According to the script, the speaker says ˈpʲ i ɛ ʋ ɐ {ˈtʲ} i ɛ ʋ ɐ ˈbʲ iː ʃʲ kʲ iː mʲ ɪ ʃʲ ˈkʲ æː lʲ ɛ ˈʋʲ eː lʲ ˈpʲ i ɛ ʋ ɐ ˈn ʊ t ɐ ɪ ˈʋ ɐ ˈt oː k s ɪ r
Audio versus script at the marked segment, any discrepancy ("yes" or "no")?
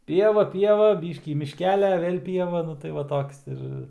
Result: yes